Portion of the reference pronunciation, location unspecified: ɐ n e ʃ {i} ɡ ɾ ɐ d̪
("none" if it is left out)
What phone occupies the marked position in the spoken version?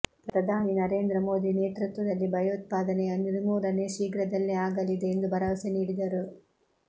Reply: iː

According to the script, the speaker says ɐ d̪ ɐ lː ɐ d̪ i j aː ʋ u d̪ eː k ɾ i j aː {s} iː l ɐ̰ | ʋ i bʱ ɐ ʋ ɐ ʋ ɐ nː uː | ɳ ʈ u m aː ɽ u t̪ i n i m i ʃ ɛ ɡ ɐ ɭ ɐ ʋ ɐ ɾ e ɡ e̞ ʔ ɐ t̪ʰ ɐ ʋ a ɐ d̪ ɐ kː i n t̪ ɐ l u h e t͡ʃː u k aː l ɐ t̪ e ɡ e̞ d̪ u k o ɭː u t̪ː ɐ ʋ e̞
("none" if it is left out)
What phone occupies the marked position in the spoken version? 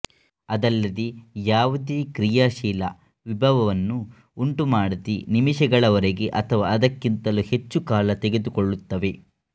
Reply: ʃ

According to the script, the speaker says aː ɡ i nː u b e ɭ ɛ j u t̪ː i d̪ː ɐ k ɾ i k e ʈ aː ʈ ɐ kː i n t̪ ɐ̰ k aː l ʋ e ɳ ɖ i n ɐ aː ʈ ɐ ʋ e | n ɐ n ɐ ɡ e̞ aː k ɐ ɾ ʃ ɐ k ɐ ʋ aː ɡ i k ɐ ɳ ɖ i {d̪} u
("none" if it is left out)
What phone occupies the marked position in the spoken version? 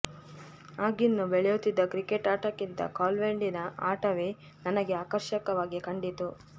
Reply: t̪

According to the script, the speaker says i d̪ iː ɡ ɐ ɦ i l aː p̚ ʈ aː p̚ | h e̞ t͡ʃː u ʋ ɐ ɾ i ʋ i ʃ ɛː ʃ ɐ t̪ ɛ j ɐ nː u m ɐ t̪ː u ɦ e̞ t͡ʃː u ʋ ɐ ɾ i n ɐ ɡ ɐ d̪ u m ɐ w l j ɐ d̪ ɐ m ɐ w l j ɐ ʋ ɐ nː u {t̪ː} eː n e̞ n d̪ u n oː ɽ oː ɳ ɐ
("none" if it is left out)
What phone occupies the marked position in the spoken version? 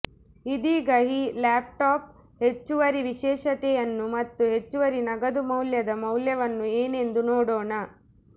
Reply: none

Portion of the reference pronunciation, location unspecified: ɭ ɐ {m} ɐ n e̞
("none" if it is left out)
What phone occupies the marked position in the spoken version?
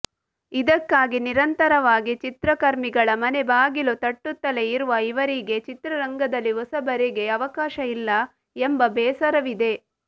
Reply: m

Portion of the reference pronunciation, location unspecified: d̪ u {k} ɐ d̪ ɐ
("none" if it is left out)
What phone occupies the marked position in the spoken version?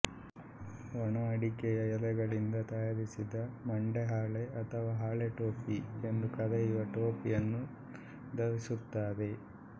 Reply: k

